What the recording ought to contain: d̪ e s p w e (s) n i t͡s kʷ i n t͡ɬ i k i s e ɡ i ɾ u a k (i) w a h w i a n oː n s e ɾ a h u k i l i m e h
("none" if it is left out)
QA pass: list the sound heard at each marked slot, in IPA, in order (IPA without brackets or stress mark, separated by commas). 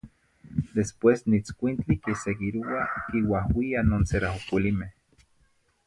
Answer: s, i